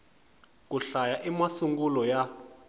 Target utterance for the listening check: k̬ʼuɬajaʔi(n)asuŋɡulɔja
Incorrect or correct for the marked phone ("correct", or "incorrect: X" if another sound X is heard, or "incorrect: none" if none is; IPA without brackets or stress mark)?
incorrect: m